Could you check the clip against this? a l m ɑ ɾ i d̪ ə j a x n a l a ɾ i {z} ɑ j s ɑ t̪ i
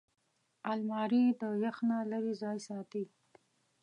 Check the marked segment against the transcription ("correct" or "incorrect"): correct